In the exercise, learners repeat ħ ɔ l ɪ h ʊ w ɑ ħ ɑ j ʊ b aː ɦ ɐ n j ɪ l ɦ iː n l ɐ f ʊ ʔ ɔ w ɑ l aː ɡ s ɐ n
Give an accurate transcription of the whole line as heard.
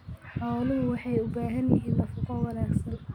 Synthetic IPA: ħ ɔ l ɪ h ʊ w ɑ ħ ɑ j ʊ b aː ɦ ɐ n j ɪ ɦ iː n l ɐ f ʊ q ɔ w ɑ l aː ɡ s ɐ n

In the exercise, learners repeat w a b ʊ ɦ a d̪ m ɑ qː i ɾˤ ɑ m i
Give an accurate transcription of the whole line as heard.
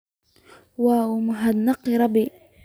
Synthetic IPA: w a m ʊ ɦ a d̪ n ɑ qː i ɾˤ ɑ b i

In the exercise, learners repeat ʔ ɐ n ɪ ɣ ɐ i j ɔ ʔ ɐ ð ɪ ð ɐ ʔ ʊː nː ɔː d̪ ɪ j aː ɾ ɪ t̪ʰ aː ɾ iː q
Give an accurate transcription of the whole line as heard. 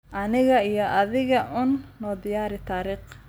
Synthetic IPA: ʔ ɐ n ɪ ɣ ɐ i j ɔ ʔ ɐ ð ɪ ɣ ɐ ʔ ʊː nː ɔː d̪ ɪ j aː ɾ ɪ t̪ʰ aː ɾ iː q

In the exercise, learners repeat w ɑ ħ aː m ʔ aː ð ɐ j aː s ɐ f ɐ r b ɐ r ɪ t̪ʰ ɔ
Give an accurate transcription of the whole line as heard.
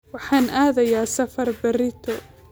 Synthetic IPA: w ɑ ħ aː n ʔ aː ð ɐ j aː s ɐ f ɐ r b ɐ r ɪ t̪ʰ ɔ

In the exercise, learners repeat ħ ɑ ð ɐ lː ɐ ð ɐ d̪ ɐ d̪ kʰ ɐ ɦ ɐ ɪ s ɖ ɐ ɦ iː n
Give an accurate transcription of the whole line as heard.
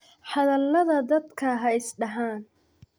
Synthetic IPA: ħ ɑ ð ɐ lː ɐ ð ɐ d̪ ɐ d̪ kʰ ɐ ɦ ɐ ɪ s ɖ ɐ ɦ aː n

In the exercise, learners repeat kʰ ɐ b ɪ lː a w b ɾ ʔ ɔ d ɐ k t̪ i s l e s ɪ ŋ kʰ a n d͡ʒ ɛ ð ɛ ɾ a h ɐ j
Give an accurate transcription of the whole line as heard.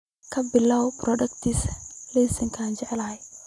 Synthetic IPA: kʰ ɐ b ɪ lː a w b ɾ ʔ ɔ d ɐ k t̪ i s l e s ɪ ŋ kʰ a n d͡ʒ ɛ ʕ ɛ l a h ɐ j

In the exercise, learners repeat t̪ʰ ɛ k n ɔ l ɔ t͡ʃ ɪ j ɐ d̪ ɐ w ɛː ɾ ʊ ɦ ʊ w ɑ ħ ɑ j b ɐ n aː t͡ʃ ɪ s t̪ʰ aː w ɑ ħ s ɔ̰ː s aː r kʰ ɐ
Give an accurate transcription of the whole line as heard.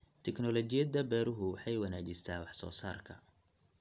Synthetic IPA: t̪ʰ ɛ k n ɔ l ɔ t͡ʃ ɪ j ɐ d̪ ɐ b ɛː ɾ ʊ ɦ ʊ w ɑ ħ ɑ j w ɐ n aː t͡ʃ ɪ s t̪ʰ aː w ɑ ħ s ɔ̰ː s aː r kʰ ɐ

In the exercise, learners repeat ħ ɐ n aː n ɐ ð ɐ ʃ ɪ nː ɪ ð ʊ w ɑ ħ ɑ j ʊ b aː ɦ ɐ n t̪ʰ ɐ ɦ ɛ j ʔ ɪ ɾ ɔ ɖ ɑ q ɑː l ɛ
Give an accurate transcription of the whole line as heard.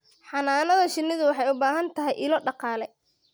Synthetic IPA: ħ ɑ n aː n ɐ ð ɐ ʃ ɪ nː ɪ ð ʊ w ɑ ħ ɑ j ʊ b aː ɦ ɐ n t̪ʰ ɐ ɦ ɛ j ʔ ɪ l ɔ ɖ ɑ q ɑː l ɛ

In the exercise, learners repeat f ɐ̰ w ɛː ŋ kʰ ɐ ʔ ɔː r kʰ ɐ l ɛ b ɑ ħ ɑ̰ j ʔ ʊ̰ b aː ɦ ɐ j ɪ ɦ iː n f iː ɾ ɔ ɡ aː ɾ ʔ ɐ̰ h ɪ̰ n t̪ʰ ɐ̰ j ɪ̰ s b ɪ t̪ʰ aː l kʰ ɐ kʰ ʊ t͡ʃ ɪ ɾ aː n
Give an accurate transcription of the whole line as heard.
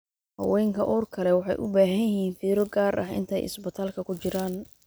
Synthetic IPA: h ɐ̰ w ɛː ŋ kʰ ɐ ʔ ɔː r kʰ ɐ l ɛ w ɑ ħ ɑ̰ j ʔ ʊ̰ b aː ɦ ɐ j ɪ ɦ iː n f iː ɾ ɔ ɡ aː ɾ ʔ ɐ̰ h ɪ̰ n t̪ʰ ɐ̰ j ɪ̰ s b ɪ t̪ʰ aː l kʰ ɐ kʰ ʊ t͡ʃ ɪ ɾ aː n

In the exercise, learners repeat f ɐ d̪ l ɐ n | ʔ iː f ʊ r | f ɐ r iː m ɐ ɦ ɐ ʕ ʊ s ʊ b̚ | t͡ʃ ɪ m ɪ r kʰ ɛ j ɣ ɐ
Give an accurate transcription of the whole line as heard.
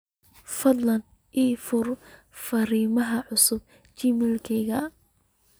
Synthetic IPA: f ɐ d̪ l ɐ n | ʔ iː f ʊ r | f ɐ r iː m ɐ ɦ ɐ ʕ ʊ s ʊ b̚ | t͡ʃ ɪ m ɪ l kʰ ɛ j ɣ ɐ

